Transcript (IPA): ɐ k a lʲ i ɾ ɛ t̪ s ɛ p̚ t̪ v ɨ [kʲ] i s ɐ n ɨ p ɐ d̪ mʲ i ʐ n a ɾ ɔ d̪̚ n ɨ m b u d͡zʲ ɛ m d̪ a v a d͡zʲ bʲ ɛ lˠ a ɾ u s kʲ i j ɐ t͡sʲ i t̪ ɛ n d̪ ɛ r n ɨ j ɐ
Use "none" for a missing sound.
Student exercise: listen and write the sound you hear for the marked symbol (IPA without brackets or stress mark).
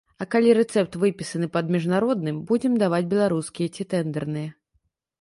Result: pʲ